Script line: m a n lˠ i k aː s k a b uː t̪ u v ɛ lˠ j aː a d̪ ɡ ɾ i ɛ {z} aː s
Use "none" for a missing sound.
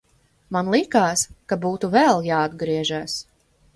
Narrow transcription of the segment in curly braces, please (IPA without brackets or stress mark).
ʒ